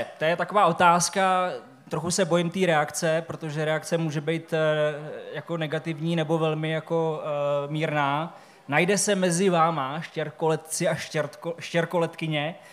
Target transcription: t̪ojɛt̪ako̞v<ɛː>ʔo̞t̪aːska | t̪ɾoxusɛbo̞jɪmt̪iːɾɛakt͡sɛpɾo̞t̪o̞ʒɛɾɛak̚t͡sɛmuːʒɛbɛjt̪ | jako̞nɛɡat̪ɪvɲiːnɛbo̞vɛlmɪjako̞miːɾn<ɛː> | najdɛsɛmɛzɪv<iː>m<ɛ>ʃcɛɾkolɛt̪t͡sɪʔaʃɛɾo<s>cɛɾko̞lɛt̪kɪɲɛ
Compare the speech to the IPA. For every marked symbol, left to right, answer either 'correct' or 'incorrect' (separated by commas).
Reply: incorrect, incorrect, incorrect, incorrect, incorrect